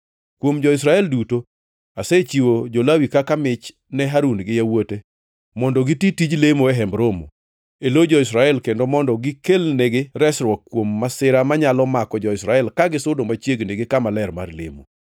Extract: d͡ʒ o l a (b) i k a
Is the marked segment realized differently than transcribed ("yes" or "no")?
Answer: yes